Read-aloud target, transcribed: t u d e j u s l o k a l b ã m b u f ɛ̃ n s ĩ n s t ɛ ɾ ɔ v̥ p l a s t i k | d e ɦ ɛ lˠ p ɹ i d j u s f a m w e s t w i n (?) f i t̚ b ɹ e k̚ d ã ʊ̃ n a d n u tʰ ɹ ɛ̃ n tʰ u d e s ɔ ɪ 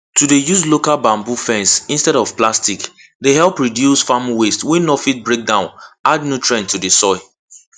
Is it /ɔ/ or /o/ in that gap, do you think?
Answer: ɔ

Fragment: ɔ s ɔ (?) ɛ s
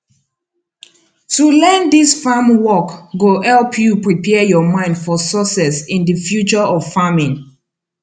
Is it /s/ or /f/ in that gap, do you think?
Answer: s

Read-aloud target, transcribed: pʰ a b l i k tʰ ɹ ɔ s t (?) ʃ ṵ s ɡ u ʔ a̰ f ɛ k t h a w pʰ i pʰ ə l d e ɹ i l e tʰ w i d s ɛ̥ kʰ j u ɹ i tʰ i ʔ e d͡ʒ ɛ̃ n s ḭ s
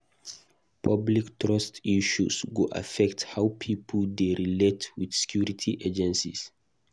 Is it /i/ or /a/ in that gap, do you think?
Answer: i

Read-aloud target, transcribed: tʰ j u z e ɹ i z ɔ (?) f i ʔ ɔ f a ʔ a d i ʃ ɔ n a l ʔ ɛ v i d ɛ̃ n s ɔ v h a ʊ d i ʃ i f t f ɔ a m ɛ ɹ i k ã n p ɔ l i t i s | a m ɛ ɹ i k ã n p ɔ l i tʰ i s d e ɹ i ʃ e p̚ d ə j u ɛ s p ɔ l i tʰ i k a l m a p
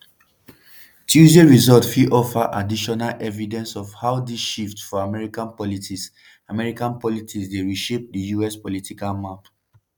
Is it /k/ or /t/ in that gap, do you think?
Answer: t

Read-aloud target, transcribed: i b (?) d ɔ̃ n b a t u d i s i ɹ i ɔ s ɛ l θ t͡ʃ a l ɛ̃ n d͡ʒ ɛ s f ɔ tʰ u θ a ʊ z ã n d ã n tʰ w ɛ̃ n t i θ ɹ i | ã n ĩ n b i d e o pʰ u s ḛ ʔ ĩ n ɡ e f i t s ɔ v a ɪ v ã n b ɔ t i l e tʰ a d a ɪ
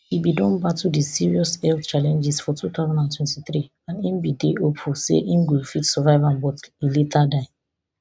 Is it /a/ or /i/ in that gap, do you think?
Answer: i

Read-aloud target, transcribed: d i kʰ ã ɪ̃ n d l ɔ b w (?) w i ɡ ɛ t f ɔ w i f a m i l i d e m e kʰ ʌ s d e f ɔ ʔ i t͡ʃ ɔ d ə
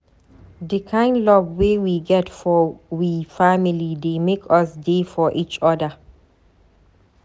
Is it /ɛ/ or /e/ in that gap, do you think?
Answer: e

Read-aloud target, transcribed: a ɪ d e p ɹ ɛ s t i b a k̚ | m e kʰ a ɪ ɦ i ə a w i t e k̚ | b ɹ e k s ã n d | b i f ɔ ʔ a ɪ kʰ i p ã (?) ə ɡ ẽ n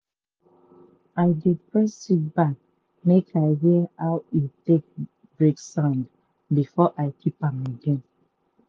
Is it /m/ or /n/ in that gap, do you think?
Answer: m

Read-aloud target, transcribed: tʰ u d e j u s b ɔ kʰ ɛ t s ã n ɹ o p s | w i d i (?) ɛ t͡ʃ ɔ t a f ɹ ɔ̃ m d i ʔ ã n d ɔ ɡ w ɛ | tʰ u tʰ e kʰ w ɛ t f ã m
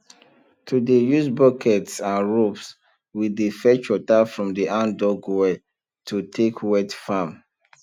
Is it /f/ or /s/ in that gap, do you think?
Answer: f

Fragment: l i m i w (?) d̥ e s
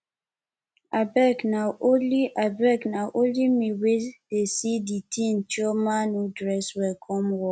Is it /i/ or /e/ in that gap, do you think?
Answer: e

